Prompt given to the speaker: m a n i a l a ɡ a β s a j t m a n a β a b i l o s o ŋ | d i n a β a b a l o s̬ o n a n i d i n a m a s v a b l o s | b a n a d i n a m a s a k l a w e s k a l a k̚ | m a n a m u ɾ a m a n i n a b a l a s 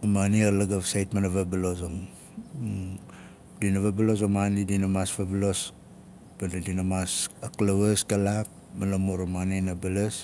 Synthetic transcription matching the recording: m a n i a l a ɡ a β s a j t m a n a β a b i l o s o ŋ | d i n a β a b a l o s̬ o m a n i d i n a m a s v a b l o s | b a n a d i n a m a s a k l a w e s k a l a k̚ | m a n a m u ɾ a m a n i n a b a l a s